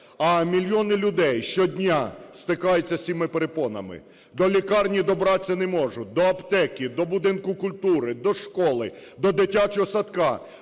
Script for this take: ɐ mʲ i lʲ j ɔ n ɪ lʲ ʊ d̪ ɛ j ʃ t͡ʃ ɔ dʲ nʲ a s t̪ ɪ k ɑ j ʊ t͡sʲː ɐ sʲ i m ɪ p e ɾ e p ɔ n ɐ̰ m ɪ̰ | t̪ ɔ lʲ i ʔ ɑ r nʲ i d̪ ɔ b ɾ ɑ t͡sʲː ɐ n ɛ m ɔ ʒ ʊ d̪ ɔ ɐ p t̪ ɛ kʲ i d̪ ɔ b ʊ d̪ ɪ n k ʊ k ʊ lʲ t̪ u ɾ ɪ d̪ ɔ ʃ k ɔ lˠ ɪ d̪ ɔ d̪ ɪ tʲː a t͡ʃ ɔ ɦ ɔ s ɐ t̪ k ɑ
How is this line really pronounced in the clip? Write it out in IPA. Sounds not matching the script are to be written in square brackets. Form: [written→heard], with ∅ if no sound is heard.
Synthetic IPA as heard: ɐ mʲ i lʲ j ɔ n ɪ lʲ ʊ d̪ ɛ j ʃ t͡ʃ ɔ dʲ nʲ a s t̪ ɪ k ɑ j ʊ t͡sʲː ɐ sʲ i m ɪ p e ɾ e p ɔ n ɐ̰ m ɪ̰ | [t̪→d̪] ɔ lʲ i [ʔ→k] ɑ r nʲ i d̪ ɔ b ɾ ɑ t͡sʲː ɐ n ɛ m ɔ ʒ ʊ d̪ ɔ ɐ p t̪ ɛ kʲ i d̪ ɔ b ʊ d̪ ɪ n k ʊ k ʊ lʲ t̪ u ɾ ɪ d̪ ɔ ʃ k ɔ lˠ ɪ d̪ ɔ d̪ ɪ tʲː a t͡ʃ ɔ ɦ ɔ s ɐ t̪ k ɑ

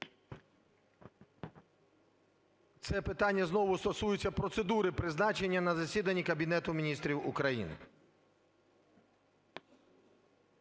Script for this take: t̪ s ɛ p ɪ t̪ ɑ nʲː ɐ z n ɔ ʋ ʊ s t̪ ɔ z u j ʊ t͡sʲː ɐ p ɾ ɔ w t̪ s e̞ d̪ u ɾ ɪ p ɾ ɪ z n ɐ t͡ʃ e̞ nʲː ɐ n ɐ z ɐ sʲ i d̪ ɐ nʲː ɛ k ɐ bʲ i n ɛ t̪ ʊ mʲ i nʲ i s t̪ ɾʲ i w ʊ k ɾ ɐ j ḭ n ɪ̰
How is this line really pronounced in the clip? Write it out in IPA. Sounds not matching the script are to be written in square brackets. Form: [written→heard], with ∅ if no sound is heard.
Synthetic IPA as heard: t̪ s ɛ p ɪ t̪ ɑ nʲː ɐ z n ɔ ʋ ʊ s t̪ ɔ [z→s] u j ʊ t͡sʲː ɐ p ɾ ɔ [w→∅] t̪ s e̞ d̪ u ɾ ɪ p ɾ ɪ z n [ɐ→ɑ] t͡ʃ e̞ nʲː ɐ n ɐ z ɐ sʲ i d̪ ɐ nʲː [ɛ→i] k ɐ bʲ i n ɛ t̪ ʊ mʲ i nʲ i s t̪ ɾʲ i w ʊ k ɾ ɐ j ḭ n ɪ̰

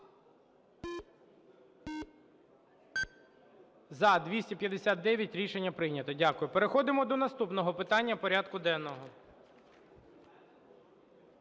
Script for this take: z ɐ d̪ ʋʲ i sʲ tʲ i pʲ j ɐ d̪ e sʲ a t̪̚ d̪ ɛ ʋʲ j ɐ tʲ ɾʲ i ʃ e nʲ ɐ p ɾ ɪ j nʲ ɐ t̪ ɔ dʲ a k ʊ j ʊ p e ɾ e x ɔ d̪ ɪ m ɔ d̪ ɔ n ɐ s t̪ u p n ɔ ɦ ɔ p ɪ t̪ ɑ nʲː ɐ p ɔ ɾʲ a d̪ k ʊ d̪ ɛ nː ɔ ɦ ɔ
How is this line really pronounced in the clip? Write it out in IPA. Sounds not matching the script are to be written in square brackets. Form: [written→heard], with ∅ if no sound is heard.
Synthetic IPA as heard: z ɐ d̪ ʋʲ i sʲ tʲ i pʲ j ɐ d̪ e sʲ a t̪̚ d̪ ɛ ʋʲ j ɐ tʲ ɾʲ i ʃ e [nʲ→nʲː] ɐ p ɾ ɪ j nʲ ɐ t̪ ɔ dʲ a k ʊ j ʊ p e ɾ e x ɔ d̪ ɪ m ɔ d̪ ɔ n ɐ s t̪ u p n ɔ ɦ ɔ p ɪ t̪ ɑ nʲː ɐ p ɔ ɾʲ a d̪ k ʊ d̪ ɛ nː ɔ ɦ ɔ

